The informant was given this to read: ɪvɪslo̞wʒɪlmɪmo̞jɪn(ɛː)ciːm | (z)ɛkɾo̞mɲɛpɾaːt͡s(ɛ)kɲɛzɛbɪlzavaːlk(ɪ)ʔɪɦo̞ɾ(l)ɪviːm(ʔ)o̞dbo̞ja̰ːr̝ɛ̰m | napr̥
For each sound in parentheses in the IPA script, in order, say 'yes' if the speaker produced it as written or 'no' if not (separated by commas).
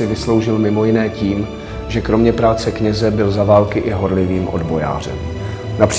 yes, no, yes, yes, yes, yes